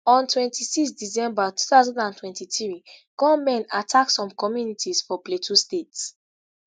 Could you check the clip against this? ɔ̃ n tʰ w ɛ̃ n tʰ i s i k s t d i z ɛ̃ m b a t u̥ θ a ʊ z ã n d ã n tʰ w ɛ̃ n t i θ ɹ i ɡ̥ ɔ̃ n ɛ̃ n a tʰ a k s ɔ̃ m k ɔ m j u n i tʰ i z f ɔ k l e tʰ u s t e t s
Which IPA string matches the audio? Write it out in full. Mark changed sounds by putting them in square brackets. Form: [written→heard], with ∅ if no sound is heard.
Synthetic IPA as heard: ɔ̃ n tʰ w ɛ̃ n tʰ i s i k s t d i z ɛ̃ m b a t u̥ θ a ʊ z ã n d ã n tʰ w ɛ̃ n t i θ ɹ i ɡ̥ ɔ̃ [n→m] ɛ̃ n a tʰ a k s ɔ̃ m k ɔ m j u n i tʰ i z f ɔ [k→p] l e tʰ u s t e t s